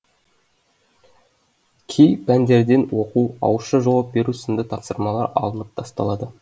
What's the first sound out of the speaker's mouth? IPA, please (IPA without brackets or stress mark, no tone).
kʲʰ